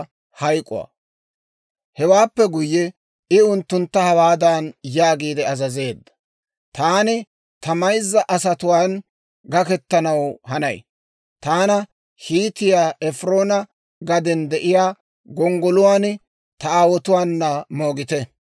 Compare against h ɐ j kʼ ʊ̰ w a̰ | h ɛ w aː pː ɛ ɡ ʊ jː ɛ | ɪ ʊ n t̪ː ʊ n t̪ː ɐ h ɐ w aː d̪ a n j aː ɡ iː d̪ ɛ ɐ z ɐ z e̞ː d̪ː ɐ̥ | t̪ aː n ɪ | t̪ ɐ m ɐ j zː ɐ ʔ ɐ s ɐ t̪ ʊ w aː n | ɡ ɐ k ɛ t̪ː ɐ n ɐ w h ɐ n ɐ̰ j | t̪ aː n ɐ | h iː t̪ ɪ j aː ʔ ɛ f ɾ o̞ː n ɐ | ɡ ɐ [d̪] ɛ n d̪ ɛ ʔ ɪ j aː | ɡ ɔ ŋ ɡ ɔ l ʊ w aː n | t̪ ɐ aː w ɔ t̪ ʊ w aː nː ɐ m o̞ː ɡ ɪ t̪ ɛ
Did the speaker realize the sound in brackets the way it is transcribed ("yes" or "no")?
yes